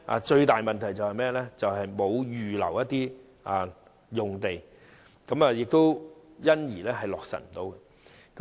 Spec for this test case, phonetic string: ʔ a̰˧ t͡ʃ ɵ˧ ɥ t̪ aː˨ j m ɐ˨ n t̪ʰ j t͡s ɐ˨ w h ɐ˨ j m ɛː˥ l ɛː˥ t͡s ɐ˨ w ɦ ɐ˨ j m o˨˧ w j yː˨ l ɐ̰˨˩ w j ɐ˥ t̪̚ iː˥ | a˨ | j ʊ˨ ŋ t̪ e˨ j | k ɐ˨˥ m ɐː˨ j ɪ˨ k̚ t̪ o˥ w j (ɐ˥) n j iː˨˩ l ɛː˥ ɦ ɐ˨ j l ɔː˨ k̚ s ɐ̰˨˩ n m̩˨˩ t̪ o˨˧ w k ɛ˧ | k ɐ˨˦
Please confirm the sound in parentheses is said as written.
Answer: yes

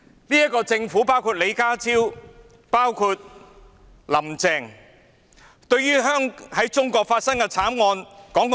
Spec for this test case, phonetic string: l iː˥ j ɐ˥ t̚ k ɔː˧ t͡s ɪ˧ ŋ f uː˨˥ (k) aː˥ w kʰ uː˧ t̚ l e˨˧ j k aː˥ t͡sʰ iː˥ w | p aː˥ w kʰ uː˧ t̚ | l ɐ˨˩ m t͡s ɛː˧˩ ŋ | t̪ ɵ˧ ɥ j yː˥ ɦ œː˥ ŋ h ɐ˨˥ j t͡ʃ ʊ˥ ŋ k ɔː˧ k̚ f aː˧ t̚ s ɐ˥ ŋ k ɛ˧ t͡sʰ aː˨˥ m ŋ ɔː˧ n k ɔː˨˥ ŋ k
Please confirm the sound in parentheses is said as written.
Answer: no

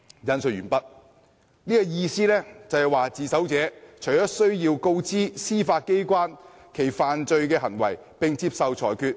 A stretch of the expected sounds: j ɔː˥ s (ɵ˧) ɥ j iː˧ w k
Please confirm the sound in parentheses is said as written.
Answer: no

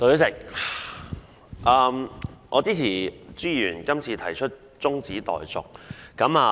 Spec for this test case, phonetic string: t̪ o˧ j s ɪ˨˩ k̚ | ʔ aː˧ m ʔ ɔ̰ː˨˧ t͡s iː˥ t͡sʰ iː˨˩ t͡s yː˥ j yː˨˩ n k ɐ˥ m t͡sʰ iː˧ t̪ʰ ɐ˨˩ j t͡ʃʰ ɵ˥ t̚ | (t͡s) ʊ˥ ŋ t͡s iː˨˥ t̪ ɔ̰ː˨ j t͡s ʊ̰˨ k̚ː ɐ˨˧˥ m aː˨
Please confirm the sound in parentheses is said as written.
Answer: yes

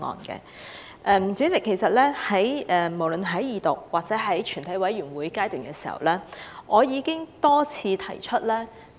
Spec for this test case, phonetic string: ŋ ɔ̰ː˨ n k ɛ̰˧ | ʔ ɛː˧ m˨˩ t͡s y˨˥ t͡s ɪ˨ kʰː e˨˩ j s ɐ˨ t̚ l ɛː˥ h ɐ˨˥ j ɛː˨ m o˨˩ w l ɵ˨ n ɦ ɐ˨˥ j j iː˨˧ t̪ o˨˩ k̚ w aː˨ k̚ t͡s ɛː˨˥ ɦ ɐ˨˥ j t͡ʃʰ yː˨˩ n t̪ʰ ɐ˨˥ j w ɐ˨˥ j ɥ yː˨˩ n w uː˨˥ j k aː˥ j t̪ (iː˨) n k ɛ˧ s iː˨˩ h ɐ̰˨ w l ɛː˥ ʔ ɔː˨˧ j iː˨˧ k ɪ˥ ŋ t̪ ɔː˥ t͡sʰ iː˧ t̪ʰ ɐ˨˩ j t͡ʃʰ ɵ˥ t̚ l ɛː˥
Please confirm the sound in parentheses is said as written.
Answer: no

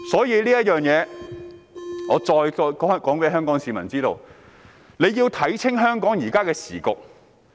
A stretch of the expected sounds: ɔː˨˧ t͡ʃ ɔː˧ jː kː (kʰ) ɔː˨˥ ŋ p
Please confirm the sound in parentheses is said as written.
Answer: no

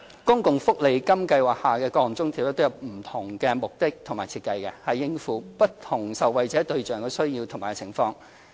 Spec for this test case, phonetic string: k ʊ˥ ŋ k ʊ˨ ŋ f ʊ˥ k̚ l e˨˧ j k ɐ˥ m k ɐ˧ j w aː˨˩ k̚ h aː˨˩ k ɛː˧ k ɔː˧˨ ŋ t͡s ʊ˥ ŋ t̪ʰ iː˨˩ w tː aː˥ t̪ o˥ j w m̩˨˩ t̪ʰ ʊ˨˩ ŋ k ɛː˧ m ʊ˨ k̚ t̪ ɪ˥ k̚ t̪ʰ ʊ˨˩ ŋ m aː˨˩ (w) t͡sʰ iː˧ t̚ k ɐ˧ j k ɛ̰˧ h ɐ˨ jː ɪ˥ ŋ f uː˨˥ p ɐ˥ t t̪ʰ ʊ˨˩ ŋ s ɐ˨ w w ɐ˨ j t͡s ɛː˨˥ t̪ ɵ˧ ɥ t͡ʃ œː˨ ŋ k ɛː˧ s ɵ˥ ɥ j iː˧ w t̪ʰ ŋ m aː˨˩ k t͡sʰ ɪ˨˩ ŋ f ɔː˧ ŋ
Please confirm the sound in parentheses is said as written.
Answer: no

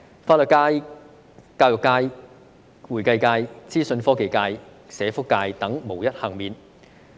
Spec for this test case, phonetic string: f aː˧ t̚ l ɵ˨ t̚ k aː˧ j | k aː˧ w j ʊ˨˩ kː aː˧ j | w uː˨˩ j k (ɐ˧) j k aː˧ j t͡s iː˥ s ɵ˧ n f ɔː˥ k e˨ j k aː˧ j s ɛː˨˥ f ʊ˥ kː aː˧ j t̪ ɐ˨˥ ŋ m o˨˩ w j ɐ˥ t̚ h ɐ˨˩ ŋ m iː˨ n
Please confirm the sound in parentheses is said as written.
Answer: yes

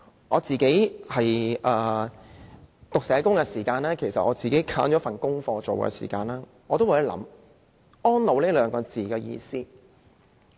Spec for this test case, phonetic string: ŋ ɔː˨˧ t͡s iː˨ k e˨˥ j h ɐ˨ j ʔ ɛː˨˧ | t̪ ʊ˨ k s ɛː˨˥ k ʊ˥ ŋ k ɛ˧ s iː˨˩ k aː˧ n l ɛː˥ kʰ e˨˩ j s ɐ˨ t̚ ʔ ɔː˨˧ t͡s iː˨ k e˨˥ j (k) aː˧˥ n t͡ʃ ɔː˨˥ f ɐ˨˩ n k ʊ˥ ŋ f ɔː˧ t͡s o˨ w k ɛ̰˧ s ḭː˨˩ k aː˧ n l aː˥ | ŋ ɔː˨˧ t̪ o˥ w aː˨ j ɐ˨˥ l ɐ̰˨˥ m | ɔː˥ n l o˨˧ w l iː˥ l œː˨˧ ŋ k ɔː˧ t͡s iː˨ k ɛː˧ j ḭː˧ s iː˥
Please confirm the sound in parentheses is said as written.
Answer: no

